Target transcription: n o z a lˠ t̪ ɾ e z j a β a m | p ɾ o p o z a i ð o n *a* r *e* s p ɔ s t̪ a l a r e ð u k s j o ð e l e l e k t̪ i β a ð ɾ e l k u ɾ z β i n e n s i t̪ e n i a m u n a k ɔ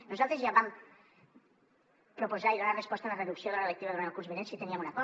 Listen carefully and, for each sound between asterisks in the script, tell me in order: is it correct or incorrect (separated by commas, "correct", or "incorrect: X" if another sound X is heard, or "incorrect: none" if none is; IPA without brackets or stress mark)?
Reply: correct, correct